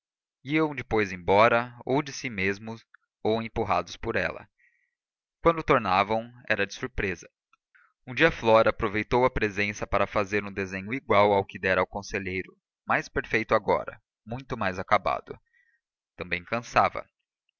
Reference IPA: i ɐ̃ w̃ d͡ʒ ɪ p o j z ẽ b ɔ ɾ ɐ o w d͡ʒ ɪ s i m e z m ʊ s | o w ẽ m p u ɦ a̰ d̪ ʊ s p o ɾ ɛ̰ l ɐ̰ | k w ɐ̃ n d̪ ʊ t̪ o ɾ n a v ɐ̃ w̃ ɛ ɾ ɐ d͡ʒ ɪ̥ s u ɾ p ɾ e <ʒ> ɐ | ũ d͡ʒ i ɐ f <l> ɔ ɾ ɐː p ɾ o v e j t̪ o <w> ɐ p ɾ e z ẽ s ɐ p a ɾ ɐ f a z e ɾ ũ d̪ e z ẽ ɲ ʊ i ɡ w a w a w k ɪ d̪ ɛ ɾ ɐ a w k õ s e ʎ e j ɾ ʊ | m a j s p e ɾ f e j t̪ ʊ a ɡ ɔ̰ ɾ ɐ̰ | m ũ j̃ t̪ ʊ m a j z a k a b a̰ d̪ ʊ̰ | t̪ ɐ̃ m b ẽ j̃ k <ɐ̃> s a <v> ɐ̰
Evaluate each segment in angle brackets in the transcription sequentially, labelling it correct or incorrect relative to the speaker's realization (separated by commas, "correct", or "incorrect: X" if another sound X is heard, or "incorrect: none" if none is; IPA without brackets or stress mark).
incorrect: z, correct, correct, correct, correct